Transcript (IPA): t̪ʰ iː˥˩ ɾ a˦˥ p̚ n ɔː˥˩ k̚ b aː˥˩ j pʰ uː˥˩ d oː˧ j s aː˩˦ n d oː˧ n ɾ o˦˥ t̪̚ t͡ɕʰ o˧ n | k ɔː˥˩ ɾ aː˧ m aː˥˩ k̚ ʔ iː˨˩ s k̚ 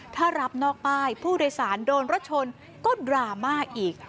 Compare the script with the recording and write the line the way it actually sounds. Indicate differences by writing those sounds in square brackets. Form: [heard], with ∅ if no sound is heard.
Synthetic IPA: t̪ʰ [aː˥˩] ɾ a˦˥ p̚ n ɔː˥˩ k̚ [p] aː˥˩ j pʰ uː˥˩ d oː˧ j s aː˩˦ n d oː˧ n ɾ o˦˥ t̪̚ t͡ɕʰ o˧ n | k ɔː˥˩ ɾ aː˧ m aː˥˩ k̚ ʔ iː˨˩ [∅] k̚